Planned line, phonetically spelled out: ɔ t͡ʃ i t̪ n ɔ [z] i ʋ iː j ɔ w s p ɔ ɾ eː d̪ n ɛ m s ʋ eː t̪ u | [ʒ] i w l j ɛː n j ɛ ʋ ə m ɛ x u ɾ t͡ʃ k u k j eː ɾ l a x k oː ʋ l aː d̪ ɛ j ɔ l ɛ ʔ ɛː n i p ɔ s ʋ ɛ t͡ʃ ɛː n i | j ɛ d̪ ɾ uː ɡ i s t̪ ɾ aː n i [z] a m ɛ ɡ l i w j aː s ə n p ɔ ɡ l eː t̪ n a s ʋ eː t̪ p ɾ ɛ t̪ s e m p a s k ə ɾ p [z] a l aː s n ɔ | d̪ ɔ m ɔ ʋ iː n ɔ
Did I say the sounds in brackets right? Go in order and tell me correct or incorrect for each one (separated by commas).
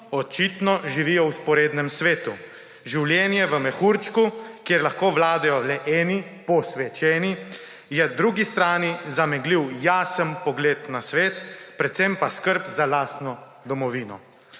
incorrect, correct, correct, correct